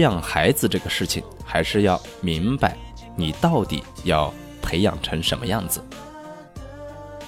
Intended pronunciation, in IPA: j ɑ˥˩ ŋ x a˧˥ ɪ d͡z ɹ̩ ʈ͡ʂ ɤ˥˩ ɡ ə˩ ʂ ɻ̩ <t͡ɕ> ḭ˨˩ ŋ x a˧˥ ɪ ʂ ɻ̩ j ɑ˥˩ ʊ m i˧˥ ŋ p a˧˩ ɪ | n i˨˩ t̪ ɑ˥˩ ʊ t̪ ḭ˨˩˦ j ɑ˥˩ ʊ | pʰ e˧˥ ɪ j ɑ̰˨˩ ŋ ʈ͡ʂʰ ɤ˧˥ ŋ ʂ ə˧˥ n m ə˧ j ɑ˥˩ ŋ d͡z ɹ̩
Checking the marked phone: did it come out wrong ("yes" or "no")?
yes